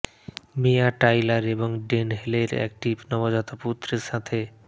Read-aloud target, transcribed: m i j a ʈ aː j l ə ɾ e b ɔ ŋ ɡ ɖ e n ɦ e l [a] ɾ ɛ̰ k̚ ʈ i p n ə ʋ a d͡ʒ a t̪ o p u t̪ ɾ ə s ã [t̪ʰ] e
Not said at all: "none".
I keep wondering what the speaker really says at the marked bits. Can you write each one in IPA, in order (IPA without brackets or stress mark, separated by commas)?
e, t̪ʰ